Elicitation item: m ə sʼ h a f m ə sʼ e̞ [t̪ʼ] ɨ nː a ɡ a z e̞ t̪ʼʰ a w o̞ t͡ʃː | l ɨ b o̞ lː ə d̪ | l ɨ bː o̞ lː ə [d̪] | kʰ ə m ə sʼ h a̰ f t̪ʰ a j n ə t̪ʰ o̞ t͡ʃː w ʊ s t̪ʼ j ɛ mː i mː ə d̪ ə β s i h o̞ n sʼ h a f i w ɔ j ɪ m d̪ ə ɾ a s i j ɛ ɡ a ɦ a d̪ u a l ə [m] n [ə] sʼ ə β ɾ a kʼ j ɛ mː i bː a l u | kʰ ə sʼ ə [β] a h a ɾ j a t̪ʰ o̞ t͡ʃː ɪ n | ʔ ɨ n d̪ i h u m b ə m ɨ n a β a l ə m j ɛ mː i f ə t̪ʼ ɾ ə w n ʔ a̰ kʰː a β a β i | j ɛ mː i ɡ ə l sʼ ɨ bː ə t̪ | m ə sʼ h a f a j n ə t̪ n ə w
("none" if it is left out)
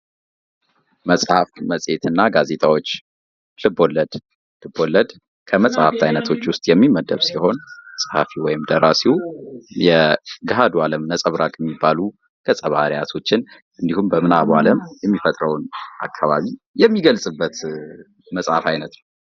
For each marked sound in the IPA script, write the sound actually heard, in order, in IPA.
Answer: t̪, d̪, m, ə, β

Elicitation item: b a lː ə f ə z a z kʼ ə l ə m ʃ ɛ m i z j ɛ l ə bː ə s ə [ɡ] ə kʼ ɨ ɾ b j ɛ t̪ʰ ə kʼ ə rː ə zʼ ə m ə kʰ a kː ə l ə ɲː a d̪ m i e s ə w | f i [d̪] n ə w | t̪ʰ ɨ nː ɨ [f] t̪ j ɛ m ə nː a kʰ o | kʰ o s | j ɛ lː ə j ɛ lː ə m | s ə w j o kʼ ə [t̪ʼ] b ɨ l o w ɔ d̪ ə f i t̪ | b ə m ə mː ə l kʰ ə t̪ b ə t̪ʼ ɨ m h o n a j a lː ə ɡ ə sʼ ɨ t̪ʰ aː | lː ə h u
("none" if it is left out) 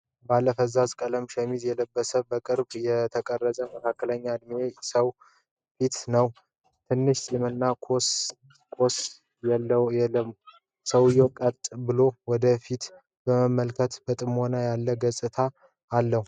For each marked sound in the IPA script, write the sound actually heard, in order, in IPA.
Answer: b, t̪, ʃ, t̪ʼ

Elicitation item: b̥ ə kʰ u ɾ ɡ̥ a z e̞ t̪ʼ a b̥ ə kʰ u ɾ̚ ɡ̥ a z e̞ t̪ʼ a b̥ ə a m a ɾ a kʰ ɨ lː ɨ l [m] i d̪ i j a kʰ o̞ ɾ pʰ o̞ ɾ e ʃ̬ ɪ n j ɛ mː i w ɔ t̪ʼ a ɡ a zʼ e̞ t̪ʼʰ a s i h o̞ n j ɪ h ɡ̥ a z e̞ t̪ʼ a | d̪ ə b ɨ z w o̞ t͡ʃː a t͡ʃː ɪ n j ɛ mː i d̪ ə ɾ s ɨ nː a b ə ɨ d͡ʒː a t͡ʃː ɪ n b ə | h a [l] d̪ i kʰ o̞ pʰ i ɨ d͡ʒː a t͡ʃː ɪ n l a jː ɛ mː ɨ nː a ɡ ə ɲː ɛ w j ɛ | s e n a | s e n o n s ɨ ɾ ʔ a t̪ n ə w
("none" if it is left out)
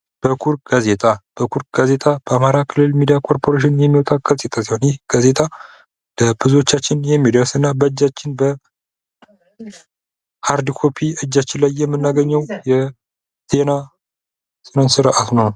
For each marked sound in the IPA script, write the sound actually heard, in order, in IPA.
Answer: m, ɾ

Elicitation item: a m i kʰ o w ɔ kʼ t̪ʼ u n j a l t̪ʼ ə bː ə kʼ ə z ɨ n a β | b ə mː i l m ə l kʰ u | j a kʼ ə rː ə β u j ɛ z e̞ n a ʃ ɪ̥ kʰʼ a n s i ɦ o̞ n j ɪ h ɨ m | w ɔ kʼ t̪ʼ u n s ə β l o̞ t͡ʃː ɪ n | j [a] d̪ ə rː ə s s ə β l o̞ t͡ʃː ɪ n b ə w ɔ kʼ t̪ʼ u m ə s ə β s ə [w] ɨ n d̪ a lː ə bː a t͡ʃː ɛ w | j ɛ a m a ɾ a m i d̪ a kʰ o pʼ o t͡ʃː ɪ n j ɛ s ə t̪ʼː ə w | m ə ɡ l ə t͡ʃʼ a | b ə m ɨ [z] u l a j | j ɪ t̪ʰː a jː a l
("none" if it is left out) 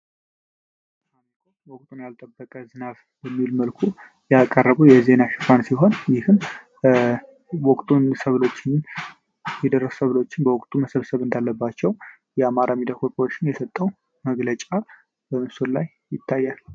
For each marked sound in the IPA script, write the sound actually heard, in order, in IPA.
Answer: ɛ, β, s

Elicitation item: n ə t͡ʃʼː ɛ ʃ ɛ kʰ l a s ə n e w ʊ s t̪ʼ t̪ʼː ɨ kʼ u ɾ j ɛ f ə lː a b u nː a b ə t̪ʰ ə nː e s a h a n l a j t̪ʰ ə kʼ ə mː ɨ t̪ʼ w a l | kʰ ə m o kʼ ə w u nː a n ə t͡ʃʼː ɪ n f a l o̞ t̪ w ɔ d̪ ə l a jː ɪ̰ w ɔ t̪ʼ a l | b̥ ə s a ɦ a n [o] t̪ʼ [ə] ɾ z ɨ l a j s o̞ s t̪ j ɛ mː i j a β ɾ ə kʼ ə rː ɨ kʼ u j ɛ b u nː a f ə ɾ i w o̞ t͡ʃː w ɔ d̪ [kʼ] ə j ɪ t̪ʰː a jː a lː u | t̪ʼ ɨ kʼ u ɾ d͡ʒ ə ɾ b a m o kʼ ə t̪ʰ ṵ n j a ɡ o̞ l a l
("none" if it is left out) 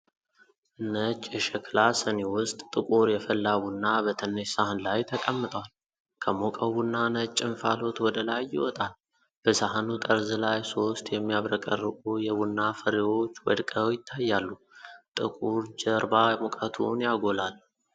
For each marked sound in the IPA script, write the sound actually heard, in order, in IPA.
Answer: u, ə, kʼ

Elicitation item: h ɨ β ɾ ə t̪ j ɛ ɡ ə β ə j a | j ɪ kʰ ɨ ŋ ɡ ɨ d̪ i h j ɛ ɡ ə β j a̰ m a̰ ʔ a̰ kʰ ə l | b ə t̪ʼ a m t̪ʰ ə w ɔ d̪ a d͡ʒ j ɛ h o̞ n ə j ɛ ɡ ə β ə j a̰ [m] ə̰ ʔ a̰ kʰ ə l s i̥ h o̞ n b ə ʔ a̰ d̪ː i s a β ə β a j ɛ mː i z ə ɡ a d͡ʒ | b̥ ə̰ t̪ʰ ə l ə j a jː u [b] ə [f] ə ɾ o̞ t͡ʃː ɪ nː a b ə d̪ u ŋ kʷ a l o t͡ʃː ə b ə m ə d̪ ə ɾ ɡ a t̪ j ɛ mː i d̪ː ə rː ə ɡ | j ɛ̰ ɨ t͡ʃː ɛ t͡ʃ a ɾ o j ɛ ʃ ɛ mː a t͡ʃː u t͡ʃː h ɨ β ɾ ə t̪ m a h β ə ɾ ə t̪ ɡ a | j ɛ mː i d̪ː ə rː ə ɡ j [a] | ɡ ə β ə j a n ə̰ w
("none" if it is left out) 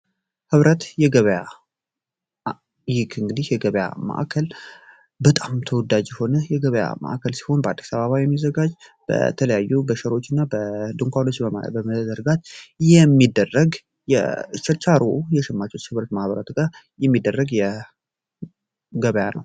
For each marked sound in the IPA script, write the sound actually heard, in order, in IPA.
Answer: m, b, ʃ, ɛ

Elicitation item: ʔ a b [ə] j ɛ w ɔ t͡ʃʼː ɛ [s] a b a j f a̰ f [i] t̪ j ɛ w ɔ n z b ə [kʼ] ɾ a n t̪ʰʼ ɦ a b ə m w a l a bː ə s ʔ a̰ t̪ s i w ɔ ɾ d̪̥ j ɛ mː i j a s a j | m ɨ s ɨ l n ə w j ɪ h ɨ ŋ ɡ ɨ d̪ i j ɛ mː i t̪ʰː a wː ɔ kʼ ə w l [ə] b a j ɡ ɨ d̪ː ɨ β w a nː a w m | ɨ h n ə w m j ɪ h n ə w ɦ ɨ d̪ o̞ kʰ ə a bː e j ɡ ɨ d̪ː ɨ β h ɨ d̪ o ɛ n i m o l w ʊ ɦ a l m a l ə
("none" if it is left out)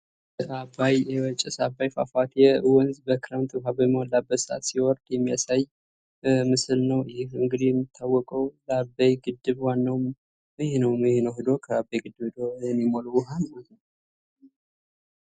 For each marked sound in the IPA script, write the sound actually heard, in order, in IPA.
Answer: a, s, a, k, a

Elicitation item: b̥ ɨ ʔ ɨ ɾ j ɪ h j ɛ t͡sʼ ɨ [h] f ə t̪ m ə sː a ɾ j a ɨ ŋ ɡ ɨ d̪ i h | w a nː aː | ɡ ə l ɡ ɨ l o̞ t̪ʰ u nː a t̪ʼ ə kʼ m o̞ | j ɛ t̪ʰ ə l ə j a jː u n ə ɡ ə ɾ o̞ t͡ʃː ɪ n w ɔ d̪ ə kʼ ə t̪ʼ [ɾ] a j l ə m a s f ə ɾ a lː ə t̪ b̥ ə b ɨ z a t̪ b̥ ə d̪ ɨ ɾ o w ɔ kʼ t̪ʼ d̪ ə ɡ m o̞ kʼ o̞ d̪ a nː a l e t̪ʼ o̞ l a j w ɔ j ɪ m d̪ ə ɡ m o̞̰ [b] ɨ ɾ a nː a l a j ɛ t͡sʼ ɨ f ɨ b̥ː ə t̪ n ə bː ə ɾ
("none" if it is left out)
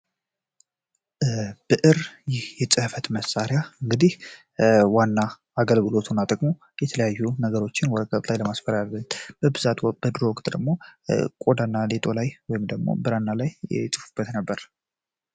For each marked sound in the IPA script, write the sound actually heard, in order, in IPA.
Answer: h, l, b

